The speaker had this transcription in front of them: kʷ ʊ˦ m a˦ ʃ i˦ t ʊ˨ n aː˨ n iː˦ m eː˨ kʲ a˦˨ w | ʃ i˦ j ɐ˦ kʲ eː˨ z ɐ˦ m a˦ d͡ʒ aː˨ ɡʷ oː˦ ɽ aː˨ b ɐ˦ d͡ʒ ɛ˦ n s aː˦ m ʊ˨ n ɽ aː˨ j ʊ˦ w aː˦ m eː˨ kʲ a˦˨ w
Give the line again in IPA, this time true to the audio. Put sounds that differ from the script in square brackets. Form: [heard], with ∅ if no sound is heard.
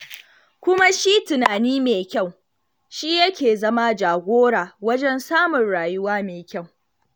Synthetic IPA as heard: kʷ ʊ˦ m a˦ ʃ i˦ t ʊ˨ n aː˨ n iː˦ m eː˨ kʲ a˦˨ w | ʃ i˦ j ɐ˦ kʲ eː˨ z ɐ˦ m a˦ d͡ʒ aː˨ ɡʷ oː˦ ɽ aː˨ [w] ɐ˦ d͡ʒ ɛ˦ n s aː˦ m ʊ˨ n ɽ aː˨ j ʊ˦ w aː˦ m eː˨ kʲ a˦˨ w